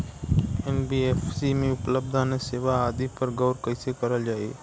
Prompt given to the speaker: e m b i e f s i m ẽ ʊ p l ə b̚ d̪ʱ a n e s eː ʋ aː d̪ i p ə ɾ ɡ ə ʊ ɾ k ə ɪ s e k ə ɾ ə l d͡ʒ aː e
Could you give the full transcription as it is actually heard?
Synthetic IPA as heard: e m b i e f s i m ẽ ʊ p l ə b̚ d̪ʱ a n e s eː ʋ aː d̪ i p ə ɾ ɡ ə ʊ ɾ k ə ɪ s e k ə ɾ ə l d͡ʒ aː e